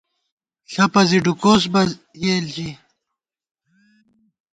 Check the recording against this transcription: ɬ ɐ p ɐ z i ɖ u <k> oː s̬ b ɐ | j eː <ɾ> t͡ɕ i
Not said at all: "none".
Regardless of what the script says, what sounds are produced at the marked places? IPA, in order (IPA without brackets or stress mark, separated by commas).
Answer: k, l